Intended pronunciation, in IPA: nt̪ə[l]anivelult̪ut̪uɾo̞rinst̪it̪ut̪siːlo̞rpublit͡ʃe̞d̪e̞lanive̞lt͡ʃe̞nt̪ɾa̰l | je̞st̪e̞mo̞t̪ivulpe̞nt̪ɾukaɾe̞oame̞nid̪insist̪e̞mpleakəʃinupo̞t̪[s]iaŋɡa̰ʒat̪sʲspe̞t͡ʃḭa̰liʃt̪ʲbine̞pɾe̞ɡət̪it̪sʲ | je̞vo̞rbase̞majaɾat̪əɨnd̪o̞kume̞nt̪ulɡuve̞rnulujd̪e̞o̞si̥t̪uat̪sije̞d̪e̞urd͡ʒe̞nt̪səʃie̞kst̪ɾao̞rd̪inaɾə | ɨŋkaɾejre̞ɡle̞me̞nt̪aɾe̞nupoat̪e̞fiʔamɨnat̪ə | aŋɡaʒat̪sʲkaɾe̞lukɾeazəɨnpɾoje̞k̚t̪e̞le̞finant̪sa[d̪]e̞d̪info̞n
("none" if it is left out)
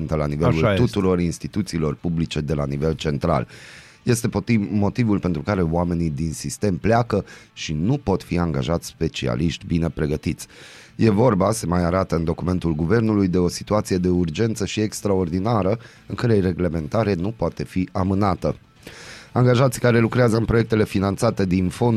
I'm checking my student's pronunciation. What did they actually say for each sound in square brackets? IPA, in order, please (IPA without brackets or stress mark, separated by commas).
l, f, t̪